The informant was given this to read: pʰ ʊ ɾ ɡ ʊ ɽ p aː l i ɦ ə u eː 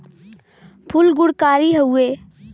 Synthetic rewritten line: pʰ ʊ l ɡ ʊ ɽ k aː ɾ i ɦ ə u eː